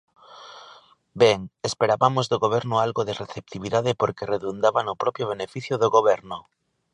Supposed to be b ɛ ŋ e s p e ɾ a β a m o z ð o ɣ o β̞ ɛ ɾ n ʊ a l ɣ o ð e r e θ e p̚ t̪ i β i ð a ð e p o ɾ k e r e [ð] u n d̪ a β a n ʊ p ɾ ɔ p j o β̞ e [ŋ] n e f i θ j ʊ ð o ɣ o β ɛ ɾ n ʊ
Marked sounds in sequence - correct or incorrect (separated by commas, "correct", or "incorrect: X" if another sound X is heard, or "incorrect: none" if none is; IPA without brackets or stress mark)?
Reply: correct, incorrect: none